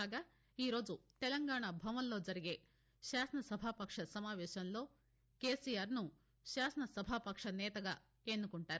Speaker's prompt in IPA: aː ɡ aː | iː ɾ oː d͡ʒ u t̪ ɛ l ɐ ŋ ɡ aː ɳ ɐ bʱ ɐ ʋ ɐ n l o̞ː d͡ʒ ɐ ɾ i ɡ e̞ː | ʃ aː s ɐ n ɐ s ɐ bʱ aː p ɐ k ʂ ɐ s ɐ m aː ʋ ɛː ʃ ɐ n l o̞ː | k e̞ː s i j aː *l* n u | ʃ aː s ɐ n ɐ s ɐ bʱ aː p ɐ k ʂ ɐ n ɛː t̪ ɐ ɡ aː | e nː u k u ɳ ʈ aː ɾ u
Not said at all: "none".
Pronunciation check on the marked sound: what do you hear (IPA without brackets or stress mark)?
ɾ